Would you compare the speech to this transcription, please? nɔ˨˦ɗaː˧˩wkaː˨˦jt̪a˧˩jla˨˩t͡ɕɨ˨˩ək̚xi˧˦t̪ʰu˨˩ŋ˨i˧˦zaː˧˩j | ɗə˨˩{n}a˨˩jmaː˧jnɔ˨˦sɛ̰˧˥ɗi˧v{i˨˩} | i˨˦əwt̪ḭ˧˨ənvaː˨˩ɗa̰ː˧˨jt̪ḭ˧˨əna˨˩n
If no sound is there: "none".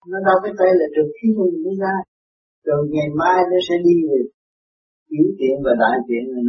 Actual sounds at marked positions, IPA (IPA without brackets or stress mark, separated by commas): ŋ, e˨˩